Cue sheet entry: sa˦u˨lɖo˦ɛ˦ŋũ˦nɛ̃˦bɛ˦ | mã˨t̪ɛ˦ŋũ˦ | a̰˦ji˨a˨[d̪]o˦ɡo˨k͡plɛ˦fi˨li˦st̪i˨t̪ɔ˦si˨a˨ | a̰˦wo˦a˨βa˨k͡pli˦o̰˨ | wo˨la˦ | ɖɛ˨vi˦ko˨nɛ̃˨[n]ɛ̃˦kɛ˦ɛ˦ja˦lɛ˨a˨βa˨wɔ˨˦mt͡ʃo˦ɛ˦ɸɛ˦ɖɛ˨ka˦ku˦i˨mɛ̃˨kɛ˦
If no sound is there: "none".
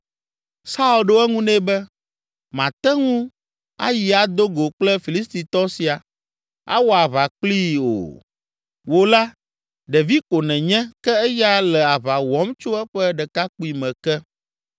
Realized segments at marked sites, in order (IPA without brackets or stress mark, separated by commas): d̪, ɲ